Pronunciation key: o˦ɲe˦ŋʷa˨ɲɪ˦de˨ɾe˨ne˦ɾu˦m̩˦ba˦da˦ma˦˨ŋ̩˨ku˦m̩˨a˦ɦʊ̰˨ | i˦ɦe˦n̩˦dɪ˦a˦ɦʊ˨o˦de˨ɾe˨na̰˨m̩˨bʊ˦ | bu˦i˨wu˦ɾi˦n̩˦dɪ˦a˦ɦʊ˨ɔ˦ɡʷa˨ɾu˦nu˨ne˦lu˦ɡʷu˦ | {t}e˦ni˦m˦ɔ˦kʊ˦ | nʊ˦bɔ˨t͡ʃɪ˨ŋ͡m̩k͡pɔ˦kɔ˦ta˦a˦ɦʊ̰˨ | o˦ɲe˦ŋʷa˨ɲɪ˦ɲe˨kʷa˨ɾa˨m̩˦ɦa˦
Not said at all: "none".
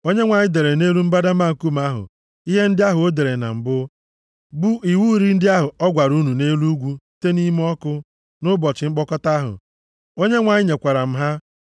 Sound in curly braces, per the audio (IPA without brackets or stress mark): t